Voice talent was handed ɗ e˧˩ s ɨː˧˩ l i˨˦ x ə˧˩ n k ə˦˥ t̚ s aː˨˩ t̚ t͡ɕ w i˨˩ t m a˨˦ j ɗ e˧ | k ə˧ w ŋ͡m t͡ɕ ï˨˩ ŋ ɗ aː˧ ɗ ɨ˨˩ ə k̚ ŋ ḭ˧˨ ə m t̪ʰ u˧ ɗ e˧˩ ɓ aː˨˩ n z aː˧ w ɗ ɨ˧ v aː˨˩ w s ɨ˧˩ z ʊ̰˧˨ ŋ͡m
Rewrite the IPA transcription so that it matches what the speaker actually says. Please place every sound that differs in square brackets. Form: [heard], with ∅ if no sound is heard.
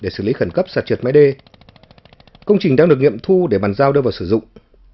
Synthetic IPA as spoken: ɗ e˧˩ s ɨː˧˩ l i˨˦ x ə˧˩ n k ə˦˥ [p̚] s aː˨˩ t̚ t͡ɕ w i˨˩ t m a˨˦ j ɗ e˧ | k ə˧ w ŋ͡m t͡ɕ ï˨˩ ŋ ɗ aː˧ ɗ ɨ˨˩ ə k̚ ŋ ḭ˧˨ ə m t̪ʰ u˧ ɗ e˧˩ ɓ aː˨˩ n z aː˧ w ɗ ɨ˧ v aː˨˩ w s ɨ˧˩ z ʊ̰˧˨ ŋ͡m